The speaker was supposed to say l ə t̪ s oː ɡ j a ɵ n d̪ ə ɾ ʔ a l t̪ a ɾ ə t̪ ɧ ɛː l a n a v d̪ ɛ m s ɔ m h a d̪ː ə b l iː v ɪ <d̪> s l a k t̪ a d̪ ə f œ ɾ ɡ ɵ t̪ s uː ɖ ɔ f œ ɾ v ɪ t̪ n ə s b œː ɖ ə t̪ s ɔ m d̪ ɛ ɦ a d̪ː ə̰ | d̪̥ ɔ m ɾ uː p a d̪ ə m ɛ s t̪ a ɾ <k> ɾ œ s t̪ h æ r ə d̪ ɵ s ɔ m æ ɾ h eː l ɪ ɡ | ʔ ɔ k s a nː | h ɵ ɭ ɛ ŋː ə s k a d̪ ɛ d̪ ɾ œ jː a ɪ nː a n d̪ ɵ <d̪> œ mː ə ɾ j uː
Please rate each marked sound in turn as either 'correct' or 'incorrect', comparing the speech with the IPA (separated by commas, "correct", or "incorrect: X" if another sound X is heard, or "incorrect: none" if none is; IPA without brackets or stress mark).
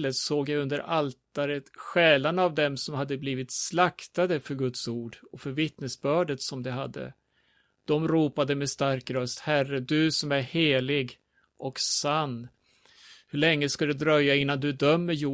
incorrect: t̪, correct, correct